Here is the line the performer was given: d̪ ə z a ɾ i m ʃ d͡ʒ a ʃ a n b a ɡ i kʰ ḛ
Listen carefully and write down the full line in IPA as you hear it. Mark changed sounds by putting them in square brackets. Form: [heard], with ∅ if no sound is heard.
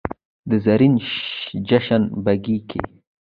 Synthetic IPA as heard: d̪ ə z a ɾ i [n] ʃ d͡ʒ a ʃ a n b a ɡ i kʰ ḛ